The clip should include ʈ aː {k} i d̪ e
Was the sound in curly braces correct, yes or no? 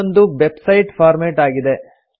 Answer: no